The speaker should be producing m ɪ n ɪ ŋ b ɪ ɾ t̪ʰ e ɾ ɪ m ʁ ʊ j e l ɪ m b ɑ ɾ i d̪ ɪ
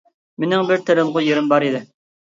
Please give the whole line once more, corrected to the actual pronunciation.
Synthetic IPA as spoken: m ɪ n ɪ ŋ b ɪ ɾ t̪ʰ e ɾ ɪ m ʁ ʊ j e ɾ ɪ m b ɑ ɾ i d̪ ɪ